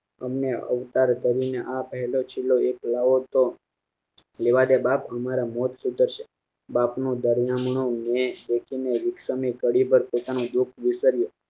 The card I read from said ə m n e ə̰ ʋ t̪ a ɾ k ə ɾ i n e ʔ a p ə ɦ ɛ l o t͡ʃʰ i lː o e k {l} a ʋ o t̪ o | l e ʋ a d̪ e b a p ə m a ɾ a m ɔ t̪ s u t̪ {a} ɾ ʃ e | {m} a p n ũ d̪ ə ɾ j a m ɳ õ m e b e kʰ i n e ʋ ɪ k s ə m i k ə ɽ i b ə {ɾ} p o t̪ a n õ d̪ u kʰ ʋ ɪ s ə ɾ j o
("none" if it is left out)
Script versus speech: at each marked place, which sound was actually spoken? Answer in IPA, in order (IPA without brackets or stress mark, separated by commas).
l, ə, b, ɾ